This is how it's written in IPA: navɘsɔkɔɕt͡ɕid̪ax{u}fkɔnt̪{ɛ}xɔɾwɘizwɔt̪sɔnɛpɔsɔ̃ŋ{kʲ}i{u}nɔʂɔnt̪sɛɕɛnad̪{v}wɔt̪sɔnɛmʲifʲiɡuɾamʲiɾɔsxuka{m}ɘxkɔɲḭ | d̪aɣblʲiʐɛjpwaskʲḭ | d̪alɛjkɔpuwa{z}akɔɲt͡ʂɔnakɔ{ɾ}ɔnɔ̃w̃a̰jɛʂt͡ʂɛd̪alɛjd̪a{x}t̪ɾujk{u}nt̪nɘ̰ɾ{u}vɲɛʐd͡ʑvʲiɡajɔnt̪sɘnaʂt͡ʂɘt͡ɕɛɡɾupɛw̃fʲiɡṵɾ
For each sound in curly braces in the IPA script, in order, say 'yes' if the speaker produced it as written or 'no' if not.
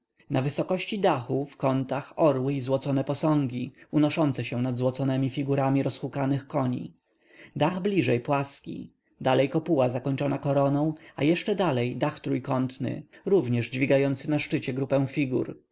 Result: yes, no, no, yes, no, no, yes, yes, yes, no, yes

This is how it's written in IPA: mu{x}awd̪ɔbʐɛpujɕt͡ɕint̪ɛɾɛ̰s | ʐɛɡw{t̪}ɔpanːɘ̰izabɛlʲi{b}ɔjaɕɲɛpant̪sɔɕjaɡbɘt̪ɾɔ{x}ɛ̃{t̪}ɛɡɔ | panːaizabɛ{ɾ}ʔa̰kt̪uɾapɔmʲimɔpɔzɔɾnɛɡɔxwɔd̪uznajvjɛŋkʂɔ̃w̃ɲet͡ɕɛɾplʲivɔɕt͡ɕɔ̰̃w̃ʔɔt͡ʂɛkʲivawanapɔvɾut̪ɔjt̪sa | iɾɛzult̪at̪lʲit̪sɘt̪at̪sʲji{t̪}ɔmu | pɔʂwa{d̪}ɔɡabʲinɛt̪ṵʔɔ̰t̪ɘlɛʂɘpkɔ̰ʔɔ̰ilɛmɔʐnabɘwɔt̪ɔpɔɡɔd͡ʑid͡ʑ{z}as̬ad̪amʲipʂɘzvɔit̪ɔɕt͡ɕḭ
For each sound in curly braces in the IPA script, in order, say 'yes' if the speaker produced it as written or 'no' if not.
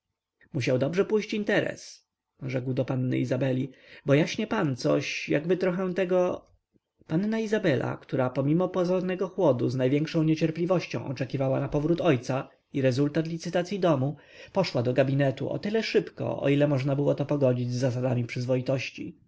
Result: no, no, yes, yes, yes, no, no, yes, no

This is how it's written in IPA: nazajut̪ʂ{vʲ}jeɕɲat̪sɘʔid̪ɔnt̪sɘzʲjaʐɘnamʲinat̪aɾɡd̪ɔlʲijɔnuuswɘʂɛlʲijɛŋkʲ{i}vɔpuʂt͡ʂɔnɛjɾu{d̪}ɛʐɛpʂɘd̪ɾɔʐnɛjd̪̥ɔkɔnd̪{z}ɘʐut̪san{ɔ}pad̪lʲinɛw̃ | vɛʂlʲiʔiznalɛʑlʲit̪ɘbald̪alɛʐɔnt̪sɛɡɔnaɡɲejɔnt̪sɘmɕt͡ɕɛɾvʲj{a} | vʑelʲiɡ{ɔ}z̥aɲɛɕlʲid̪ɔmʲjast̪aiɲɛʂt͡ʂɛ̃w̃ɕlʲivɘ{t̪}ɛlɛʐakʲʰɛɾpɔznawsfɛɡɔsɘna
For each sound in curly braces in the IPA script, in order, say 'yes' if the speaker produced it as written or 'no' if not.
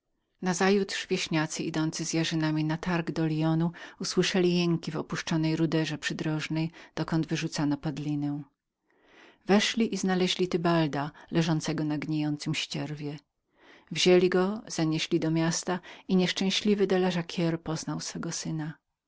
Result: yes, yes, yes, no, yes, no, yes, no

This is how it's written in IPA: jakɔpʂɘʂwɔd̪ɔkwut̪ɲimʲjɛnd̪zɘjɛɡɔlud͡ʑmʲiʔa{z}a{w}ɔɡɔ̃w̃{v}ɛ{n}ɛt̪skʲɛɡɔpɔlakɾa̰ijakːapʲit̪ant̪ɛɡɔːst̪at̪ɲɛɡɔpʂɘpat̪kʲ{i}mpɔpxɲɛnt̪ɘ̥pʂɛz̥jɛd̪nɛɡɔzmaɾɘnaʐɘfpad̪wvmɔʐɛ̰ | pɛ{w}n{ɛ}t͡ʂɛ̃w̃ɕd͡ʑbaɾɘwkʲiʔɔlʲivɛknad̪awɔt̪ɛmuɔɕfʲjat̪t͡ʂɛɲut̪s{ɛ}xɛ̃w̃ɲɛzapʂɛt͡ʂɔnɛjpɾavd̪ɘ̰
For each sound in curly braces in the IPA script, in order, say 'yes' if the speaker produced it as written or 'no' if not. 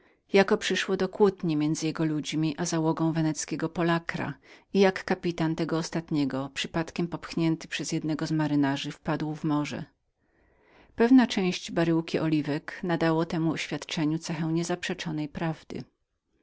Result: yes, yes, yes, yes, no, no, no, yes

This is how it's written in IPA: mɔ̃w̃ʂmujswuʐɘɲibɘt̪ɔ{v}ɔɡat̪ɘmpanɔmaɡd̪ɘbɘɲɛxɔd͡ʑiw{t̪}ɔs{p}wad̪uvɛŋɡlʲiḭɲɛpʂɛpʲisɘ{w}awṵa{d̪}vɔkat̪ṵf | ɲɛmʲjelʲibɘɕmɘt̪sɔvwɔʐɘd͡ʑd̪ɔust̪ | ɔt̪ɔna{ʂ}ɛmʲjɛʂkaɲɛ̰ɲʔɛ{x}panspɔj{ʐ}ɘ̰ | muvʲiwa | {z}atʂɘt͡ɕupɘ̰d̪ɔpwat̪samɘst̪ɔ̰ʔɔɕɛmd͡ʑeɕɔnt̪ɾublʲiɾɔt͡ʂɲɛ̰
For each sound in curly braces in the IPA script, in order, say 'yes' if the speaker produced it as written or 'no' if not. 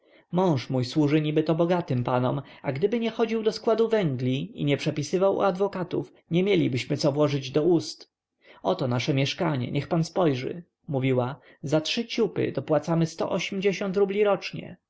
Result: no, no, no, no, yes, yes, yes, yes, yes

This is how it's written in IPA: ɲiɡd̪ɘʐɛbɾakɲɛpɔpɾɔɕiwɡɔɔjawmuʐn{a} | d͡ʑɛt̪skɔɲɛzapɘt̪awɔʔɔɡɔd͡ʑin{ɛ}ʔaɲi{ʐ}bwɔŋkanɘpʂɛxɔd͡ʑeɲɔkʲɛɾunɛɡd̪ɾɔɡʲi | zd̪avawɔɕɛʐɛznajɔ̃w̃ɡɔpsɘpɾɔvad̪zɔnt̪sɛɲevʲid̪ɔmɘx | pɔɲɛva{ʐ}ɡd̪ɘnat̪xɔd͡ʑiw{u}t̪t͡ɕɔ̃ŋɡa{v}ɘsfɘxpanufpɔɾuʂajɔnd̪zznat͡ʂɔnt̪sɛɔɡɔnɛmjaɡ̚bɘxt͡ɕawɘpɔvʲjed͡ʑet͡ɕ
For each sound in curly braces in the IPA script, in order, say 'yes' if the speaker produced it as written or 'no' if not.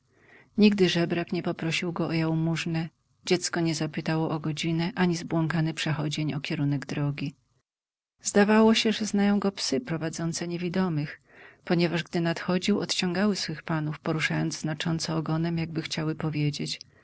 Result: no, yes, no, yes, no, no

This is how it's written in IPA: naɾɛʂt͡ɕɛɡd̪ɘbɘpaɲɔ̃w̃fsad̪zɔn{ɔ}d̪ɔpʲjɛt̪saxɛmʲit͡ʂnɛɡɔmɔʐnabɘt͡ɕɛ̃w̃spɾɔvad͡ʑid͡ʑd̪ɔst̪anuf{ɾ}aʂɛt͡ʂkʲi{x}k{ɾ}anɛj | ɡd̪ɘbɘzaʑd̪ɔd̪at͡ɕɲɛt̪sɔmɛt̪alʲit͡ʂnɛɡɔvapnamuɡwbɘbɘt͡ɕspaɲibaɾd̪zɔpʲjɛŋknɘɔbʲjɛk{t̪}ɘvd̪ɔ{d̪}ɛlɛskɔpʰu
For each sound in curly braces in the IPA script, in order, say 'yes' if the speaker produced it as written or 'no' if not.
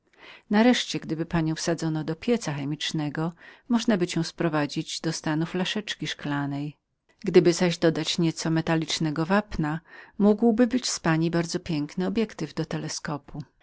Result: yes, no, no, no, yes, no

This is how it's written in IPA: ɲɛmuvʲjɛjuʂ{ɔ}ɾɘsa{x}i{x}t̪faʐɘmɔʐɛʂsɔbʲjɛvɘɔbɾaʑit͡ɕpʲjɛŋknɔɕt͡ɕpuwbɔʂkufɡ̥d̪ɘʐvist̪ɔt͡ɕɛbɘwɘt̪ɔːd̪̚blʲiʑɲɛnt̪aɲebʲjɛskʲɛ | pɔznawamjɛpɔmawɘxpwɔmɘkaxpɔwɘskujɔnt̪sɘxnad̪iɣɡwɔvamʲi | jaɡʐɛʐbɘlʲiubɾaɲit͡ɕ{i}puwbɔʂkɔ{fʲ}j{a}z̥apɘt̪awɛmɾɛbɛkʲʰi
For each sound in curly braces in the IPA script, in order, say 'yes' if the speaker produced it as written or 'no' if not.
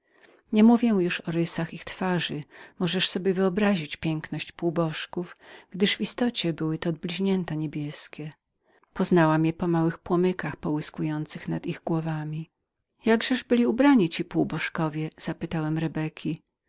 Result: yes, yes, yes, yes, no, no

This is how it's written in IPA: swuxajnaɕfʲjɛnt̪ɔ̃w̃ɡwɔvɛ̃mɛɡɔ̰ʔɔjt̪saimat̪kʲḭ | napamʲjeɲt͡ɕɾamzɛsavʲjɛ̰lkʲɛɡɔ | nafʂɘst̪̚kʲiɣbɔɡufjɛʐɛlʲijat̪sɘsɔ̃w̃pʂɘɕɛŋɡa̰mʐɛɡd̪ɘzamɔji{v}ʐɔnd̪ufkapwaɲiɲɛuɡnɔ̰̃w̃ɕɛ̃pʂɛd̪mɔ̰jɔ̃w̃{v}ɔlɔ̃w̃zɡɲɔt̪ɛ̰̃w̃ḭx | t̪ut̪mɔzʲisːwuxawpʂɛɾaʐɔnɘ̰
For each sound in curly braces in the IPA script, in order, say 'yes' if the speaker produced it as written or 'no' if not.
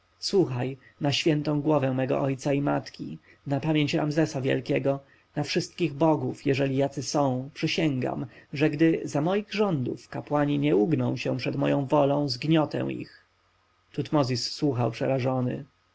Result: no, yes

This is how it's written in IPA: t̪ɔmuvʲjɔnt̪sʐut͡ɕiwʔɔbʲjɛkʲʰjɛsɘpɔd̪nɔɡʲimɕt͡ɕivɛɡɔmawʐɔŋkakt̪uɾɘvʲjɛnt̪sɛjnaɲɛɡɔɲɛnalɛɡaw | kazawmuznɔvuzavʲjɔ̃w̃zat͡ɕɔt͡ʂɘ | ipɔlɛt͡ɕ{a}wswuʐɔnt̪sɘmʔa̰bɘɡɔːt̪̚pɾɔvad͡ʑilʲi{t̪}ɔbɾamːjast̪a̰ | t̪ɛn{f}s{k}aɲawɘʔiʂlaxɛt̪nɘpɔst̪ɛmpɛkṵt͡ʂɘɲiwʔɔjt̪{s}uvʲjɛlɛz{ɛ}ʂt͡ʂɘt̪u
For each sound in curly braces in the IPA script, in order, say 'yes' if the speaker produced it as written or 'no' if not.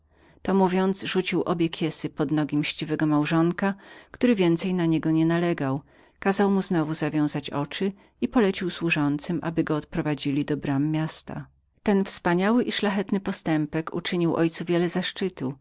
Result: no, no, yes, no, yes, no

